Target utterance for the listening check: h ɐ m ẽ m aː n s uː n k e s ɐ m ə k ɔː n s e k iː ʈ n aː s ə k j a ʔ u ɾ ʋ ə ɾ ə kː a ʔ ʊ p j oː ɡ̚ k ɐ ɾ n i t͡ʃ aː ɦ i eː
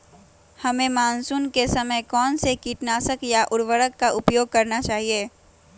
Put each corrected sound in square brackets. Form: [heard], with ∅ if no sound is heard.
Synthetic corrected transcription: h ɐ m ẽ m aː n s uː n k e s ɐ m ə k ɔː n s e k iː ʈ n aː s ə k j a ʔ [ʊ] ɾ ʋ ə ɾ ə kː a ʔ ʊ p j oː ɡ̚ k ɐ ɾ n [a] t͡ʃ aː ɦ i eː